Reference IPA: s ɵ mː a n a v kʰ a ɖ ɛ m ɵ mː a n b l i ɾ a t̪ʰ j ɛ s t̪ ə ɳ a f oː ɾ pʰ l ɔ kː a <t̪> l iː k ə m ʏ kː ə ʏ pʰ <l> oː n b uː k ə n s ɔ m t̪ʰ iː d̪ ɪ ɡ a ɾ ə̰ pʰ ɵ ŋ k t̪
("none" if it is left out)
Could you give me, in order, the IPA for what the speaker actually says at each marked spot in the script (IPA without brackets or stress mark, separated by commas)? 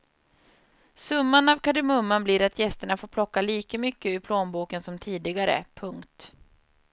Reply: none, l